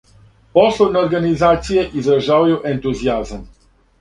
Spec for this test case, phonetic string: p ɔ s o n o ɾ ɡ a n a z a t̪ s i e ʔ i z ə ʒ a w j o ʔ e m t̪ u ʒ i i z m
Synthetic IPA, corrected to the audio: p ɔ s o n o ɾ ɡ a n i z a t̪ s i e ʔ i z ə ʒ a w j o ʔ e n t̪ u z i a z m